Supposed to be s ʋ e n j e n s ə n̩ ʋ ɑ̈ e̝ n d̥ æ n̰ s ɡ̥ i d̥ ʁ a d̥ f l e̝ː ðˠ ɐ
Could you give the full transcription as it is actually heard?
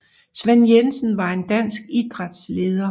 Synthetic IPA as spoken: s ʋ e n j e n s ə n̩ ʋ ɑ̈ e̝ n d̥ æ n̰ s ɡ̥ i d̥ ʁ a d̥ s l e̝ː ðˠ ɐ

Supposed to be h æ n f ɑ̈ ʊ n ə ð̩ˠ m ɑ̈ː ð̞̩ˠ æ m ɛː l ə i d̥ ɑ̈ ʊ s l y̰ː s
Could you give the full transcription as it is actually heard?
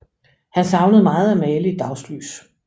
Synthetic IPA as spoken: h æ n s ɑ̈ ʊ n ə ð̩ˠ m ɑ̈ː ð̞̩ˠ æ m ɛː l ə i d̥ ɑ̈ ʊ s l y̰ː s

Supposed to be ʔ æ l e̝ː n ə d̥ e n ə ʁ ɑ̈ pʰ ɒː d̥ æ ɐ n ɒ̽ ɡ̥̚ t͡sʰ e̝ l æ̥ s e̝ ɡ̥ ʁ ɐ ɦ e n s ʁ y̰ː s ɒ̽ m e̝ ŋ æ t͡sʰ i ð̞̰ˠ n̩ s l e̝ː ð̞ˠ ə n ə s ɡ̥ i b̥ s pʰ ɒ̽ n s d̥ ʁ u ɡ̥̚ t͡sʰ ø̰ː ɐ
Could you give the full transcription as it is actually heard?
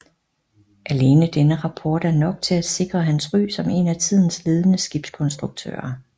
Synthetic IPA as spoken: ʔ æ l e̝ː n ə d̥ e n ə ʁ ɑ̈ pʰ ɒː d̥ æ ɐ n ɒ̽ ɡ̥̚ t͡sʰ e̝ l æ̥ s e̝ ɡ̥ ʁ ɐ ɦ æ n s ʁ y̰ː s ɒ̽ m e̝ n æ t͡sʰ i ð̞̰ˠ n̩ s l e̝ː ð̞ˠ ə n ə s ɡ̥ i b̥ s kʰ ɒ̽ n s d̥ ʁ u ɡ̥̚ t͡sʰ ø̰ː ɐ

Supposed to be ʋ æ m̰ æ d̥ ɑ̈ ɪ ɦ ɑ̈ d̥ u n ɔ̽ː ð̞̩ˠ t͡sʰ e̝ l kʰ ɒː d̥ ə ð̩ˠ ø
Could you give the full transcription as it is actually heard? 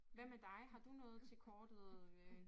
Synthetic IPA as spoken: ʋ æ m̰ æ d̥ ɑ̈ ɪ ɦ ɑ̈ d̥ u n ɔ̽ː ð̞̩ˠ t͡sʰ e̝ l kʰ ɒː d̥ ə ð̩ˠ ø

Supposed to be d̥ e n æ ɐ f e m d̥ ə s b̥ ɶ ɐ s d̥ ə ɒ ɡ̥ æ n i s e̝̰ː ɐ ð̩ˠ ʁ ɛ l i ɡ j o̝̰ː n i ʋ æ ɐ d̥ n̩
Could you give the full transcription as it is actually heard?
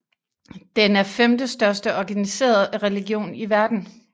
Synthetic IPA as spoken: d̥ e n æ ɐ f e m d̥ ə s d̥ ɶ ɐ s d̥ ə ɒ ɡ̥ æ n i s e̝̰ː ɐ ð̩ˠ ʁ ɛ l i ɡ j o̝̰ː n i ʋ æ ɐ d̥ n̩

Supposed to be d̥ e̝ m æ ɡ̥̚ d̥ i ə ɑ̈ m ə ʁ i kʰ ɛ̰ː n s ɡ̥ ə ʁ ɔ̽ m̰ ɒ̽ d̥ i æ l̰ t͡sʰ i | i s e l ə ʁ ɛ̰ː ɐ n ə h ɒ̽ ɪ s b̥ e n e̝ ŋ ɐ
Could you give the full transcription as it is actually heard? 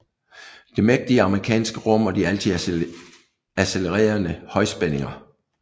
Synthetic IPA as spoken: d̥ e̝ m e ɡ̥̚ d̥ i ə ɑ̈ m ə ʁ i kʰ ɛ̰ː n s ɡ̥ ə ʁ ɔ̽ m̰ ɒ̽ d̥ i æ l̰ t͡sʰ i | æ s e l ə ʁ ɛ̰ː ɐ n ə h ɒ̽ ɪ s b̥ e n e̝ ŋ ɐ

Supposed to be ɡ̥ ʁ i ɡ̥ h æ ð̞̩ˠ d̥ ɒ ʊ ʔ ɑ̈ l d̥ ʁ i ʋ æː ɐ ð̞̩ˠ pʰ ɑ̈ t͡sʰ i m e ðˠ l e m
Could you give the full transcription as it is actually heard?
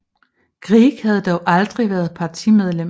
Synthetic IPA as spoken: ɡ̥ ʁ i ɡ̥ h æ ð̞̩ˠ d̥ ɒ ʊ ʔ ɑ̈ l d̥ ʁ i ʋ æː ɐ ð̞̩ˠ pʰ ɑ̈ t͡sʰ i m e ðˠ l e m

